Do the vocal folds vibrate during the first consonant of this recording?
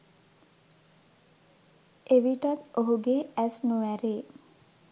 yes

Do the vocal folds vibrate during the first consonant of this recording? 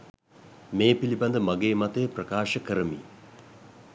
yes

